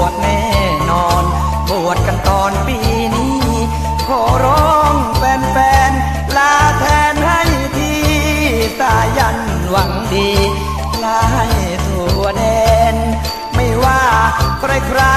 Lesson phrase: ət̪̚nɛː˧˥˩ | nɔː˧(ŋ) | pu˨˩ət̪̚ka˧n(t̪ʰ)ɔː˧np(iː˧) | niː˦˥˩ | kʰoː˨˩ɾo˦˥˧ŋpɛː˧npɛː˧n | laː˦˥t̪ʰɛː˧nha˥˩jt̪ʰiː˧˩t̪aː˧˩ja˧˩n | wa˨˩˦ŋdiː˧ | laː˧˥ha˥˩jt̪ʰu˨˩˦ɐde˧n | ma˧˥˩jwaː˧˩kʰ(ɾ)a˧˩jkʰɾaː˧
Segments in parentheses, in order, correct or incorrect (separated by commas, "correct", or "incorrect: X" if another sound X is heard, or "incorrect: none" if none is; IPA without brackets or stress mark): incorrect: n, incorrect: t̪, correct, correct